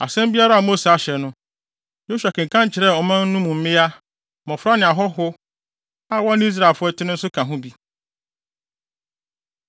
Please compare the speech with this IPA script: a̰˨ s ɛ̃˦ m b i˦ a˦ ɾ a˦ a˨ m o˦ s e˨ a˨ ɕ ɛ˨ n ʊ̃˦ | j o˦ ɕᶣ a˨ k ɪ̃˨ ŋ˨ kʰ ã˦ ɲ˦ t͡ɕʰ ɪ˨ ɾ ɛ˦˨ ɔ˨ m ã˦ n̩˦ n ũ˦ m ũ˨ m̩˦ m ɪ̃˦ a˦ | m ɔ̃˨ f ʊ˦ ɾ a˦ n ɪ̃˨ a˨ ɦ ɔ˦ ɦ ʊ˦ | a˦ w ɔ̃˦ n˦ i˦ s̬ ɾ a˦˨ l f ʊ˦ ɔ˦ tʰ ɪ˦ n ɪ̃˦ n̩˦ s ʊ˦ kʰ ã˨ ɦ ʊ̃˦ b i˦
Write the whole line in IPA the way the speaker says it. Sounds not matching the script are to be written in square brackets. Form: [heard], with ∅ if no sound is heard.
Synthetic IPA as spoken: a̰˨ s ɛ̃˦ m b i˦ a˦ ɾ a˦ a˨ m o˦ s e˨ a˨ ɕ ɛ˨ n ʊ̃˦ | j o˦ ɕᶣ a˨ k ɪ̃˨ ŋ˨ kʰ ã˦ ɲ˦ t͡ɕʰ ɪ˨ ɾ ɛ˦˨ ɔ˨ m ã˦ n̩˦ n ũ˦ m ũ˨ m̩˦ m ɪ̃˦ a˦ | m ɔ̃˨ f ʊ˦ ɾ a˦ n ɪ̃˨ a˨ ɦ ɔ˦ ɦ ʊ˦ | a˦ w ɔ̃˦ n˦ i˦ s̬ ɾ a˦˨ l f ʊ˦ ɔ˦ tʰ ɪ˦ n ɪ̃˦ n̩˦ s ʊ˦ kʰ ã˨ ɦ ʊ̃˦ b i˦